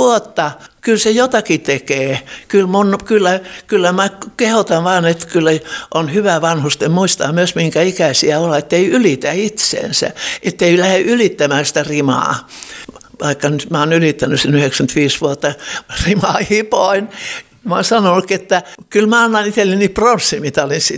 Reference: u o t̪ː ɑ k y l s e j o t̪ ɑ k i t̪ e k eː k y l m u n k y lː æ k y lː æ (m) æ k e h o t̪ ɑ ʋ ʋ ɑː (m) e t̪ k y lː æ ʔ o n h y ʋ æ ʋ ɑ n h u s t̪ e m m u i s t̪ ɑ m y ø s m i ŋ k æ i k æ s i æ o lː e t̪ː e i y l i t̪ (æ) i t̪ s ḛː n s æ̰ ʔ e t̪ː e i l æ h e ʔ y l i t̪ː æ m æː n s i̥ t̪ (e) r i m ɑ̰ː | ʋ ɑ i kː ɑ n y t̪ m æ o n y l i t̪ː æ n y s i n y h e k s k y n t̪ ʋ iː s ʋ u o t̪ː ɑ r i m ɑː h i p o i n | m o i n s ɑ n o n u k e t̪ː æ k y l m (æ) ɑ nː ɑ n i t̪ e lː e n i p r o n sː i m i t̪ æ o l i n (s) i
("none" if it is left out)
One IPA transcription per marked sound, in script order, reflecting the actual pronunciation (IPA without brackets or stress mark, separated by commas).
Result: m, n, æ, æ, æ, s